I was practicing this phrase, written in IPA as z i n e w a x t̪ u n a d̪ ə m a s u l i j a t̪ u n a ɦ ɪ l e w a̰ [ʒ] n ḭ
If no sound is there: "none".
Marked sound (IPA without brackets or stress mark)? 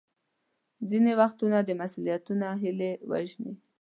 ʒ